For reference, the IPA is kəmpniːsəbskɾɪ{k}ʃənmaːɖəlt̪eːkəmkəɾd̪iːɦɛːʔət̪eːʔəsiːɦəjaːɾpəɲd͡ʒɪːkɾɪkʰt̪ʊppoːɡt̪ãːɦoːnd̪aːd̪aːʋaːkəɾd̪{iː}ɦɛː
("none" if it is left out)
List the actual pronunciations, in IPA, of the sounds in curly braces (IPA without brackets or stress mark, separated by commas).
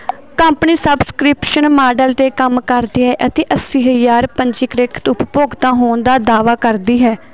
p, iː